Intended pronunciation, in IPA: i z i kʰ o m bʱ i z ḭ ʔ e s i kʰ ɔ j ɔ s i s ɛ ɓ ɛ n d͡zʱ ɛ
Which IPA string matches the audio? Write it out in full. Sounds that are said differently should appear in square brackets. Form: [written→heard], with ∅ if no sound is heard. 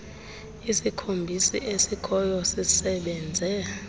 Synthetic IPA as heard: i [z→s] i kʰ o m bʱ i [z→s] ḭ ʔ e s i kʰ ɔ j ɔ s i s ɛ ɓ ɛ n d͡zʱ ɛ